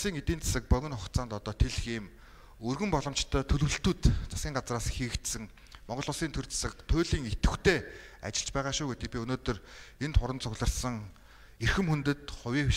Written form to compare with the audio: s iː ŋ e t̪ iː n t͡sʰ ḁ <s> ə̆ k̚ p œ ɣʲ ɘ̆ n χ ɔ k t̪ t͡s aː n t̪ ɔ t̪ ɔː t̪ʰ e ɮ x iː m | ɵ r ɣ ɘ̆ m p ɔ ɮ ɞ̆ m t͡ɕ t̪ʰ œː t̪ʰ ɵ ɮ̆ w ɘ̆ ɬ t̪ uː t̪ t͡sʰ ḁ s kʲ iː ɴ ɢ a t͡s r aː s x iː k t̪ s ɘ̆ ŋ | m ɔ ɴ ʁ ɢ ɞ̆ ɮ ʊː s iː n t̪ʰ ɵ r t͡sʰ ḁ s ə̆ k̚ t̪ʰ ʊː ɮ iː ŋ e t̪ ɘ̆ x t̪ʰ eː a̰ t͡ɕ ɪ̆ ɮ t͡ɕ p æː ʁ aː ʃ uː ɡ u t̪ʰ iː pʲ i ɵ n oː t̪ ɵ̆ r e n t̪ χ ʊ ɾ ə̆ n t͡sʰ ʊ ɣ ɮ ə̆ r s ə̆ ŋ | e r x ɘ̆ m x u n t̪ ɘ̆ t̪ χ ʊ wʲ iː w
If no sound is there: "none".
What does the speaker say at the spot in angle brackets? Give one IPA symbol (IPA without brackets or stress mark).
s